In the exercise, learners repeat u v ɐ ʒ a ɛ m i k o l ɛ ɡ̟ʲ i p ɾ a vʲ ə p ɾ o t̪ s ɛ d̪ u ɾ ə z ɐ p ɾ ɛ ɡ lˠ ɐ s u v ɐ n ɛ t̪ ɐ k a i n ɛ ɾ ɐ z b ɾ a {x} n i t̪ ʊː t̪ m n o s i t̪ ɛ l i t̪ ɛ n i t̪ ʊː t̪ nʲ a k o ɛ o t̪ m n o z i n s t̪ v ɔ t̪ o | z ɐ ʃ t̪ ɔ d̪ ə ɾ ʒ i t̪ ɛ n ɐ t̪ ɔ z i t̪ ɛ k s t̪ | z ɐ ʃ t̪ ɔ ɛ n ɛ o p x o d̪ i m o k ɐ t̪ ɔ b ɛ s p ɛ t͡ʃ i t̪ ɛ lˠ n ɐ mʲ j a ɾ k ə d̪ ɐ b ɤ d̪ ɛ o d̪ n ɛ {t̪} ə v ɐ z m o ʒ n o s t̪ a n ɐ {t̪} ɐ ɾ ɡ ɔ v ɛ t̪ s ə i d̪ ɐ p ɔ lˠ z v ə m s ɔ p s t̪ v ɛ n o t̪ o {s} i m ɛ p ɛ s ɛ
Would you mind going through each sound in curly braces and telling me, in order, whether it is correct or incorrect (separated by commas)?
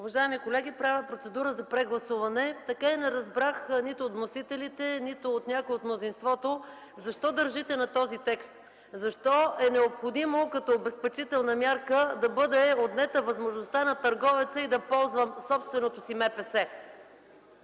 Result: correct, correct, correct, correct